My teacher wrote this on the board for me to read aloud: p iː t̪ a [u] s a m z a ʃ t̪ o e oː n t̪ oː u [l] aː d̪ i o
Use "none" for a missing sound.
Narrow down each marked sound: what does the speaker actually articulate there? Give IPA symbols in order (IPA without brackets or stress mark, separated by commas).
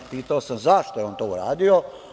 o, ɾ